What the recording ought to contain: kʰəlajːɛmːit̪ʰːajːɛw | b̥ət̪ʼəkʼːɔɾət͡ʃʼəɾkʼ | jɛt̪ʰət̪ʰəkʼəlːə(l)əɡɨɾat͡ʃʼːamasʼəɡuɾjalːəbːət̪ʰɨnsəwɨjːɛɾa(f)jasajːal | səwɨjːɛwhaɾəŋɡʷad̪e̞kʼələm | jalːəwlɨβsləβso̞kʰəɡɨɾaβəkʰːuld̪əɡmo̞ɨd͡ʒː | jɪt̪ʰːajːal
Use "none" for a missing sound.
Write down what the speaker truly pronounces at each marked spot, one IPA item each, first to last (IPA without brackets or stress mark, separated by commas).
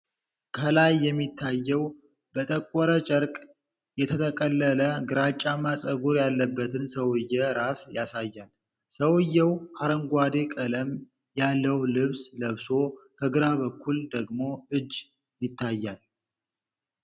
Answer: l, s